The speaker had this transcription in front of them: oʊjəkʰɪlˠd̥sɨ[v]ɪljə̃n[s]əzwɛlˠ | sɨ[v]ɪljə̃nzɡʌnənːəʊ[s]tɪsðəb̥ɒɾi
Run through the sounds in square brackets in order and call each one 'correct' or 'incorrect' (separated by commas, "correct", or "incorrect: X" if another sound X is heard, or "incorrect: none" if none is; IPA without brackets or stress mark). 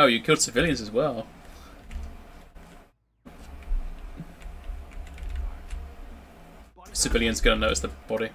correct, incorrect: z, correct, incorrect: none